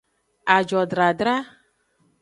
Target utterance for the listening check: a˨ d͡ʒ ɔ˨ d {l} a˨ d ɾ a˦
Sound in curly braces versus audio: incorrect: ɾ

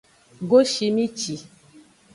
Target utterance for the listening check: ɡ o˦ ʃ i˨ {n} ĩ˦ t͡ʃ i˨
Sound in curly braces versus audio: incorrect: m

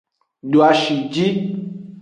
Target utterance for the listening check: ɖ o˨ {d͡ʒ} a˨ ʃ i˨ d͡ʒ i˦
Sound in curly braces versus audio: incorrect: none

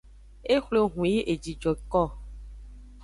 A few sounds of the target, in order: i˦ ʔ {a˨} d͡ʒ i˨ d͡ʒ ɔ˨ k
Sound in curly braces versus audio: incorrect: e˨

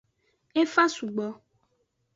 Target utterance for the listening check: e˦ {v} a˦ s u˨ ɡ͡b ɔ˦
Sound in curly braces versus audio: incorrect: f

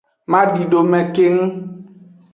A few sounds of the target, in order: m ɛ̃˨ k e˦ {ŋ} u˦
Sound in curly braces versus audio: correct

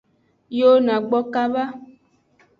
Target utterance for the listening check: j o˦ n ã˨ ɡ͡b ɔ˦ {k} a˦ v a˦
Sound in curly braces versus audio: correct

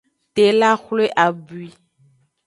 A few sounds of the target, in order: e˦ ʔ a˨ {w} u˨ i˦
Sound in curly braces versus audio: incorrect: b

